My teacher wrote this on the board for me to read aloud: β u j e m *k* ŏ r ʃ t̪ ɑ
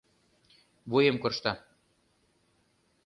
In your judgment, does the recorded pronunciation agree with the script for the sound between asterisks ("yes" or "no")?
yes